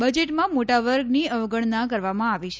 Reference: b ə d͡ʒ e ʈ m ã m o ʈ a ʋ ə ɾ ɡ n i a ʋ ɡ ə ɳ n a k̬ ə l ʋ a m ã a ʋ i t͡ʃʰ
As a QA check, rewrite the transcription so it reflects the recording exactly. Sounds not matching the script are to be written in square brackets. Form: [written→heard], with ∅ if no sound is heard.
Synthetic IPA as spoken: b ə d͡ʒ e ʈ m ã m o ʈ a ʋ ə ɾ ɡ n i [a→ə] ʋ ɡ ə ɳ n a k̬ ə [l→ɾ] ʋ a m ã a ʋ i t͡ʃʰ

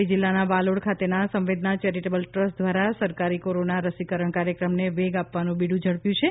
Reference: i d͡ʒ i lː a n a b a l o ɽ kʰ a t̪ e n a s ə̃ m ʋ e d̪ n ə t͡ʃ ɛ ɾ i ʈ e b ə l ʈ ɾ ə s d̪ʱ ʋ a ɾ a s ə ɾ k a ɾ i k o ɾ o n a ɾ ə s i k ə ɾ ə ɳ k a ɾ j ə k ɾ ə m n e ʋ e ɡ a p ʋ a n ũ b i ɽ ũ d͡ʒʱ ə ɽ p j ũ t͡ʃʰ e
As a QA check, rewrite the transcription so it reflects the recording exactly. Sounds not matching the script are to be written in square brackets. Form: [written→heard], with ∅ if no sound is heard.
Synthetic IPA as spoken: i d͡ʒ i lː a n a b a l o ɽ kʰ a t̪ e n a s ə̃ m ʋ e d̪ n [ə→a] t͡ʃ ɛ ɾ i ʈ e b ə l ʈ ɾ ə s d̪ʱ ʋ a ɾ a s ə ɾ k a ɾ i k o ɾ o n a ɾ ə s i k ə ɾ ə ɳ k a ɾ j ə k ɾ ə m n e ʋ e ɡ a p ʋ a n ũ b i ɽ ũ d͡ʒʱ ə ɽ p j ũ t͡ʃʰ e

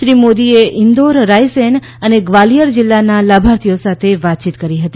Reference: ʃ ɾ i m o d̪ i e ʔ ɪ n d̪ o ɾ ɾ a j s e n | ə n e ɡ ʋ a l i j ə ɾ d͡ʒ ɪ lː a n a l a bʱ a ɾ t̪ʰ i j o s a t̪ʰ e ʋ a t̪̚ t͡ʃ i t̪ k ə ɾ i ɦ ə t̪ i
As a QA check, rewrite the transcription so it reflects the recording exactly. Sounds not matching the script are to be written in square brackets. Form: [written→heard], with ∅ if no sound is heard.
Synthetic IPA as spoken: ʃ ɾ i m o d̪ i e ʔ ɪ n d̪ o ɾ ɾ a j s e n | ə n e ɡ ʋ a l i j ə ɾ d͡ʒ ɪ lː a n a l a bʱ a ɾ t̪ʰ i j o s a t̪ʰ e ʋ a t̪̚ t͡ʃ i t̪ k ə ɾ i ɦ ə t̪ i

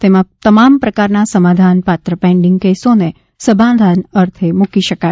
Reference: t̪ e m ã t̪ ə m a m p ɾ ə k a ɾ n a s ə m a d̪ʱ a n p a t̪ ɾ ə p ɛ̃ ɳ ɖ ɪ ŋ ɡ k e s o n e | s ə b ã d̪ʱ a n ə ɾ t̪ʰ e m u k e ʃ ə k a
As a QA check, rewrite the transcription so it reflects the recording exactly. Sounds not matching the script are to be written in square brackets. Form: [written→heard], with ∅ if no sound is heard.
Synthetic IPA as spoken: t̪ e m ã t̪ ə m a m p ɾ ə k a ɾ n a s ə m a d̪ʱ a n p a t̪ ɾ ə p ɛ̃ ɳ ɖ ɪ ŋ ɡ k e s o n e | s ə b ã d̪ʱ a n ə ɾ t̪ʰ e m u k [e→i] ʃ ə k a

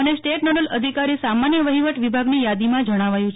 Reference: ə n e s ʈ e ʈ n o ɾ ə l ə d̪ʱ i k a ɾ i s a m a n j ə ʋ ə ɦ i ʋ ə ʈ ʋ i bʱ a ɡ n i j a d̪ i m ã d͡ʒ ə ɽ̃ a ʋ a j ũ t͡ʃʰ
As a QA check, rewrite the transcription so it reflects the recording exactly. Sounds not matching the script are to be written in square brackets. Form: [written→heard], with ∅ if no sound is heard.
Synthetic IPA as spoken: ə n e s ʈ e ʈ n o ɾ ə l ə d̪ʱ i k a ɾ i s a m a n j ə ʋ ə ɦ i ʋ ə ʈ ʋ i bʱ a ɡ n i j a d̪ i m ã d͡ʒ ə ɽ̃ a ʋ a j ũ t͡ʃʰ

